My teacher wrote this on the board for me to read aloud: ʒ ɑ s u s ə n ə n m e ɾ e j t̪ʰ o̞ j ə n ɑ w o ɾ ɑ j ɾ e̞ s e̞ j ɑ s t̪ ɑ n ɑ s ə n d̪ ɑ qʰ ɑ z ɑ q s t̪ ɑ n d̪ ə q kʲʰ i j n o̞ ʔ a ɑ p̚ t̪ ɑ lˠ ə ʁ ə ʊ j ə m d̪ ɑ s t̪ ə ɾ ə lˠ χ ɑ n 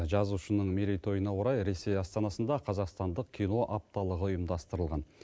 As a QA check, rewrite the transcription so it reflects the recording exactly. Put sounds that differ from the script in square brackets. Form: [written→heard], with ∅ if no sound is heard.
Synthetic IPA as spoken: ʒ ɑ [s→z] u [s→ʃ] ə n ə [n→ɴ] m e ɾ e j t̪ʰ o̞ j ə n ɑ w o ɾ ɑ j ɾ e̞ s e̞ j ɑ s t̪ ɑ n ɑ s ə n d̪ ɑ qʰ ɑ z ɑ q s t̪ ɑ n d̪ ə q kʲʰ i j n o̞ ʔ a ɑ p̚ t̪ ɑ lˠ ə ʁ ə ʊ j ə m d̪ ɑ s t̪ ə ɾ ə lˠ [χ→ʁ] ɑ n

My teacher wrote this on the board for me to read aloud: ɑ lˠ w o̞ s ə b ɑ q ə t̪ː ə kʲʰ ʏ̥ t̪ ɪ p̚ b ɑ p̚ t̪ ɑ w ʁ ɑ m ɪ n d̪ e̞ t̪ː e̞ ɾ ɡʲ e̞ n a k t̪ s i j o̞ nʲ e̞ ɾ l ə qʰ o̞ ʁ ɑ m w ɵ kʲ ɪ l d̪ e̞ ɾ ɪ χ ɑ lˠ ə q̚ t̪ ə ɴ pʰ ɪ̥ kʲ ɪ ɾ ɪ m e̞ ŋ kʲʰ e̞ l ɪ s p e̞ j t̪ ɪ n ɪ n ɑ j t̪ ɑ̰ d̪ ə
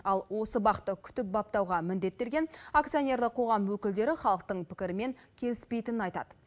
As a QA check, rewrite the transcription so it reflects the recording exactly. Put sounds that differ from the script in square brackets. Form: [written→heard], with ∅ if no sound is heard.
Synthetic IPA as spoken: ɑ lˠ w o̞ s ə b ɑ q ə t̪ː ə kʲʰ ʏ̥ t̪ ɪ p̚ b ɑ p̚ t̪ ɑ w ʁ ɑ m ɪ n d̪ e̞ t̪ː e̞ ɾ ɡʲ e̞ n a k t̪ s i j o̞ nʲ e̞ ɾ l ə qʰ o̞ ʁ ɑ m w ɵ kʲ ɪ l d̪ e̞ ɾ ɪ χ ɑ lˠ ə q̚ t̪ ə ɴ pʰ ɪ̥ kʲ ɪ ɾ ɪ m e̞ ŋ kʲʰ e̞ l ɪ s p e̞ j t̪ ɪ n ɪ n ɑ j t̪ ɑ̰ d̪ ə

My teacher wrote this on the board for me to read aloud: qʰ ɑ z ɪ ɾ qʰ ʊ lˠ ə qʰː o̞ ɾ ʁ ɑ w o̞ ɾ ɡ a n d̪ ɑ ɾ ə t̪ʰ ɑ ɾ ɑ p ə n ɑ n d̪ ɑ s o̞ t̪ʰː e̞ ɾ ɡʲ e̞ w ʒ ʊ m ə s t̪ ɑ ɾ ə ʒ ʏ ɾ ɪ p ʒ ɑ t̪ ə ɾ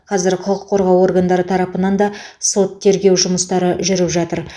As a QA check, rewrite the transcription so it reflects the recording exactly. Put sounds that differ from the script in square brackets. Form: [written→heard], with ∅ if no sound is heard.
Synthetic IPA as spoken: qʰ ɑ z ɪ ɾ qʰ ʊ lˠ ə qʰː o̞ ɾ ʁ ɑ w o̞ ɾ ɡ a n d̪ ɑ ɾ ə t̪ʰ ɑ ɾ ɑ p ə n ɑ n d̪ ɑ s o̞ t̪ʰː e̞ ɾ ɡʲ e̞ w ʒ ʊ m ə s t̪ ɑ ɾ ə ʒ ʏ ɾ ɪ p ʒ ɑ t̪ ə ɾ

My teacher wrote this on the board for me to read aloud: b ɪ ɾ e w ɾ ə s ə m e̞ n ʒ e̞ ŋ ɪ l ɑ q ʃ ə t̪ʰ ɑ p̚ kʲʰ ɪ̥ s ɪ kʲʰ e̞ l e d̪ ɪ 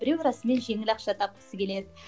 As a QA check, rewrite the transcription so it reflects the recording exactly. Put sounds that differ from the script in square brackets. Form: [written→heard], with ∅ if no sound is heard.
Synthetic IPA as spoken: b ɪ ɾ e w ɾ [ə→ɑ] s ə m e̞ n ʒ e̞ ŋ ɪ l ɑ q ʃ [ə→ɑ] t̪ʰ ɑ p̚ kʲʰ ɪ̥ s ɪ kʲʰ e̞ l e d̪ ɪ

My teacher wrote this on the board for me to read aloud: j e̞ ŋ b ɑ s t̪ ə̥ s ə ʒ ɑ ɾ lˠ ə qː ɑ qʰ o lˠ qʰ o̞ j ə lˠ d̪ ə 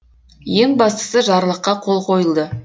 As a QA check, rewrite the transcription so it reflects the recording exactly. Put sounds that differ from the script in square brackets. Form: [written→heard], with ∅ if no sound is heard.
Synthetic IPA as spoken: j e̞ ŋ b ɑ s t̪ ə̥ s ə ʒ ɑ ɾ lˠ ə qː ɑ qʰ o lˠ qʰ o̞ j ə lˠ d̪ ə

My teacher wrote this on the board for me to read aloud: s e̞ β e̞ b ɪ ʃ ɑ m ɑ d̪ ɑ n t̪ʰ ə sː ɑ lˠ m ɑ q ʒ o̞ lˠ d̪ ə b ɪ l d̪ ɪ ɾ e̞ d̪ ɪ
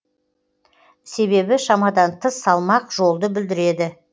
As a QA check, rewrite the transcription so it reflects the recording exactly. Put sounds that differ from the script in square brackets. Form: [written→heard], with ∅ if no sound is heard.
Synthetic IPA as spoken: s e̞ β e̞ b ɪ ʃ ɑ m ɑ d̪ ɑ n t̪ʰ ə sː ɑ lˠ m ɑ q ʒ o̞ lˠ d̪ ə b ɪ l d̪ ɪ ɾ e̞ d̪ ɪ

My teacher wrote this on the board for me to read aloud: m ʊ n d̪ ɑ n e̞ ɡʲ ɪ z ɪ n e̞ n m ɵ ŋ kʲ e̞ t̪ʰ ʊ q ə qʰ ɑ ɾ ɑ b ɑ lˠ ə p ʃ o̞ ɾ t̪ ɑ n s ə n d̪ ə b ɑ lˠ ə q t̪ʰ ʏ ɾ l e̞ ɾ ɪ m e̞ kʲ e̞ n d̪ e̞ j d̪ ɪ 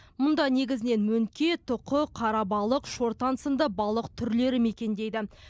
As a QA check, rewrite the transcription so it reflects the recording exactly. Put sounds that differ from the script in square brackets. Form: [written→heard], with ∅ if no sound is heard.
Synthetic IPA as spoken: m ʊ n d̪ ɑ n e̞ ɡʲ ɪ z ɪ n e̞ n m ɵ ŋ kʲ e̞ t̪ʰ ʊ q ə qʰ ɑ ɾ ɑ b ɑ lˠ ə [p→q] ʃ o̞ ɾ t̪ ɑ n s ə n d̪ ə b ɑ lˠ ə q t̪ʰ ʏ ɾ l e̞ ɾ ɪ m e̞ kʲ e̞ n d̪ e̞ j d̪ ɪ

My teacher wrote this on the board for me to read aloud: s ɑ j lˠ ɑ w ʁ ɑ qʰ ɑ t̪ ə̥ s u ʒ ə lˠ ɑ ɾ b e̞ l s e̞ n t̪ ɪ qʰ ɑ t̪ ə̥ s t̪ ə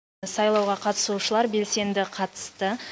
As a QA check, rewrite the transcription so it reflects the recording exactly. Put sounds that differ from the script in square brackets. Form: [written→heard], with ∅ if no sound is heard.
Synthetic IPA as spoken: s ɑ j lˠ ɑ w ʁ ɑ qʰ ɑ t̪ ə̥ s u [ʒ→ʃ] ə lˠ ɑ ɾ b e̞ l s e̞ n [t̪→d̪] ɪ qʰ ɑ t̪ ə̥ s t̪ ə

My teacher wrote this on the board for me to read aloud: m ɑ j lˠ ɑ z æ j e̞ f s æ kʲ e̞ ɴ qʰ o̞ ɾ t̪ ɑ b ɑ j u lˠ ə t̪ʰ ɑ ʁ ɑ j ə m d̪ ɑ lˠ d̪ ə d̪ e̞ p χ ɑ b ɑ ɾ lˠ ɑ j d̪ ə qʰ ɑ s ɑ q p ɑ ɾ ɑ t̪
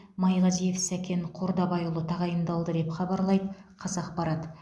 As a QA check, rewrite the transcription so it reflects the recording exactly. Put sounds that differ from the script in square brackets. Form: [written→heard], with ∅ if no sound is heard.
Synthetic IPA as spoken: m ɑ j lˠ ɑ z [æ→i] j e̞ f s æ kʲ e̞ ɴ qʰ o̞ ɾ [t̪→d̪] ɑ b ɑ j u lˠ ə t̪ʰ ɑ ʁ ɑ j ə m d̪ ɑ lˠ d̪ ə d̪ e̞ p χ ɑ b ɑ ɾ lˠ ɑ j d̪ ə qʰ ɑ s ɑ q p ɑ ɾ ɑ t̪

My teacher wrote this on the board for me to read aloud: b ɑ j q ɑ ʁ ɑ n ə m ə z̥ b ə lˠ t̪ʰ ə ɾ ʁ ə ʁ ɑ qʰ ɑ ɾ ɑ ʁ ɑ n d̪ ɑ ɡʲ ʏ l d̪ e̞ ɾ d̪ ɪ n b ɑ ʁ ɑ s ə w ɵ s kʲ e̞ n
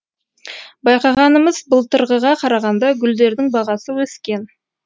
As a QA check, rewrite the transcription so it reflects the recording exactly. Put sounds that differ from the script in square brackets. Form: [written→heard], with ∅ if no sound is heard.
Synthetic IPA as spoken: b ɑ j q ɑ ʁ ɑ n ə m ə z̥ b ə lˠ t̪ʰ ə ɾ ʁ ə ʁ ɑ qʰ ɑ ɾ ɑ ʁ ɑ n d̪ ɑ ɡʲ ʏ l d̪ e̞ ɾ d̪ ɪ [n→ŋ] b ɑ ʁ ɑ s ə w ɵ s kʲ e̞ n

